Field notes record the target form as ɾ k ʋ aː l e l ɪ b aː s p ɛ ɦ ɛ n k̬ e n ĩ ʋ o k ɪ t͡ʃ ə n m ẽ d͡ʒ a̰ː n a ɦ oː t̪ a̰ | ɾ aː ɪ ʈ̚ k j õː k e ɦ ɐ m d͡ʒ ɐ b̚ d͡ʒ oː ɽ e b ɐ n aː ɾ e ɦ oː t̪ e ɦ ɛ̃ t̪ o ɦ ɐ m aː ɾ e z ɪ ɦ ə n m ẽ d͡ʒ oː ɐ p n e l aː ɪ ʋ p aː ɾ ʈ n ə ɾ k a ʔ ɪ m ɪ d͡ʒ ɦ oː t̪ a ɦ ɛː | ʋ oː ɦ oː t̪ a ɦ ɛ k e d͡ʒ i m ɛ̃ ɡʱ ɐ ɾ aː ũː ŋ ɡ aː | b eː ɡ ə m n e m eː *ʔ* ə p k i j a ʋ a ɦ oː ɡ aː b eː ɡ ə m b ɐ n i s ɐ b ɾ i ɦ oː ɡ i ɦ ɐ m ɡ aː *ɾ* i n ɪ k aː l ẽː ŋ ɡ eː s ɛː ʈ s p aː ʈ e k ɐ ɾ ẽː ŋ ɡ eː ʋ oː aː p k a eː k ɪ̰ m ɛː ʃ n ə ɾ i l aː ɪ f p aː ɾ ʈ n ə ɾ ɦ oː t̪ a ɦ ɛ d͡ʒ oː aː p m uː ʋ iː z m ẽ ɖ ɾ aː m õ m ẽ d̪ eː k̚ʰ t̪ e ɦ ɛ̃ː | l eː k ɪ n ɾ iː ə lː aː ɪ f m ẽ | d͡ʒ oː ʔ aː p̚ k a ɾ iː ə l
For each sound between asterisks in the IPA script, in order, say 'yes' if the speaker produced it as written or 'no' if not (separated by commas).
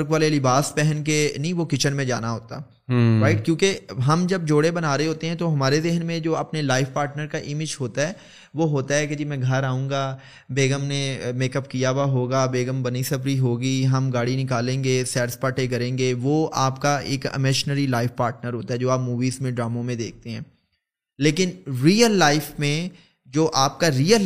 no, no